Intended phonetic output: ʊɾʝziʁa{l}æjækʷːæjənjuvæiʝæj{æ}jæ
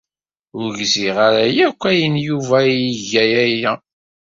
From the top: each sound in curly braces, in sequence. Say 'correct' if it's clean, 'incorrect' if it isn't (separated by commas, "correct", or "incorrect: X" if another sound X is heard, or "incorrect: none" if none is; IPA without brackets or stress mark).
incorrect: ɾ, correct